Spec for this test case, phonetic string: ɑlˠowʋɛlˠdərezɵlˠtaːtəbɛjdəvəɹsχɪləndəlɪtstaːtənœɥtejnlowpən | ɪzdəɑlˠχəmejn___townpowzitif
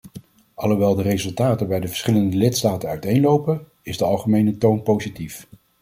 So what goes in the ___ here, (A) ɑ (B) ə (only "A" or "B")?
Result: B